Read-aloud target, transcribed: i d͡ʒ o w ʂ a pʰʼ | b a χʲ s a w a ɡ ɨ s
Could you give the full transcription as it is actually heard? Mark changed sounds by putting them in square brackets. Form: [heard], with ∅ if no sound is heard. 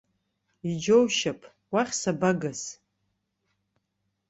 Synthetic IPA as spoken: i d͡ʒ o w [ʃ] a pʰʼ | [w] a χʲ s a [b] a ɡ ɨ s